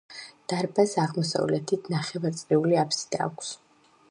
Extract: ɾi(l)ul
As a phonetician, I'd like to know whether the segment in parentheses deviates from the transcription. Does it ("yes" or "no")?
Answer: yes